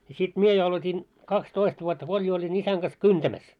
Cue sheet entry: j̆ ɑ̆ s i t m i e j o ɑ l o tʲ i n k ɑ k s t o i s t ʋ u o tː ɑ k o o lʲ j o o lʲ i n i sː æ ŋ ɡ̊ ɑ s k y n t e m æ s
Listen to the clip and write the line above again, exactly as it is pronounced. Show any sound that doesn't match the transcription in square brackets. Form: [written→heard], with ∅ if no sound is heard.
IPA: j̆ ɑ̆ s i t m i e j o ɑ l o tʲ i n k ɑ k s t o i s t ʋ u o tː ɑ k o o lʲ j o o lʲ i n i [sː→s] æ ŋ ɡ̊ ɑ s k y n t [e→æ] m æ s